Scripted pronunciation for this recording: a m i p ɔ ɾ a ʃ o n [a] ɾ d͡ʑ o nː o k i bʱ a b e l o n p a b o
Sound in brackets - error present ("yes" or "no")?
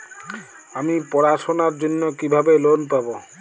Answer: no